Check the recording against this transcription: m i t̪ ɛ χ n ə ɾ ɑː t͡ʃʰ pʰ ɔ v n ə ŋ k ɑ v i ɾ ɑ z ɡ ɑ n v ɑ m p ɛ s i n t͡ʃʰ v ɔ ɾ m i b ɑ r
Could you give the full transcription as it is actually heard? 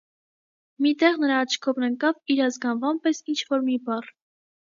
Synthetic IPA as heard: m i t̪ ɛ ʁ n ə ɾ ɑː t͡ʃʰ kʰ ɔ v n ə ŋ k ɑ v i ɾ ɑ z ɡ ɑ n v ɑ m p ɛ s i n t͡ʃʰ v ɔ ɾ m i b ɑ r